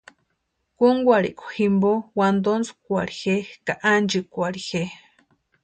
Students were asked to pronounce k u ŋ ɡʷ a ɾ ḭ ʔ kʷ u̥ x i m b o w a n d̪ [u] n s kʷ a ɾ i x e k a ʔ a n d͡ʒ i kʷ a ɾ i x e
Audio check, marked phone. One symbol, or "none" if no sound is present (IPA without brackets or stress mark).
o